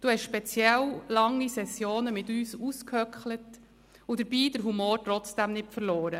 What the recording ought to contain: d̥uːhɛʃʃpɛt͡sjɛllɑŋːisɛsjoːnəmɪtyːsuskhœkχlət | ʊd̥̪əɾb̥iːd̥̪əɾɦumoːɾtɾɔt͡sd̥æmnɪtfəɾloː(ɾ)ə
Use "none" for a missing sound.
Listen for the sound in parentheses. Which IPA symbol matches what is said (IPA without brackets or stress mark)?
ɾ